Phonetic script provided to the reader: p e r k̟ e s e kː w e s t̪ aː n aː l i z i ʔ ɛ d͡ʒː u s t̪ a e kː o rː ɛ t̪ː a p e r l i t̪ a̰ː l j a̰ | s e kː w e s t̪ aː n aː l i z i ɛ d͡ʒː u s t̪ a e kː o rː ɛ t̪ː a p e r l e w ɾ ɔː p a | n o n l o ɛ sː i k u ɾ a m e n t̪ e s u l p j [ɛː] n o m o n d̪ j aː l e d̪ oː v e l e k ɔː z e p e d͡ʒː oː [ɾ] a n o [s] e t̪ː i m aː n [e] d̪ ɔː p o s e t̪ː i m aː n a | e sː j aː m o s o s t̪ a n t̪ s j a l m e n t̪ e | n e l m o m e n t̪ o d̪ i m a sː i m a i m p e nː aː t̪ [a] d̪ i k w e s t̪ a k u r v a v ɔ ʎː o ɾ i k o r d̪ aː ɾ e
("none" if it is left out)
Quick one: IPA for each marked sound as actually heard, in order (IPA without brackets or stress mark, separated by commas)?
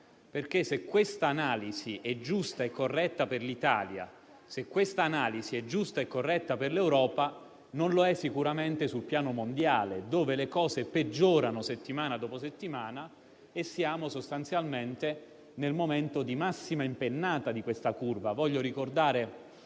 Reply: aː, ɾ, s, a, a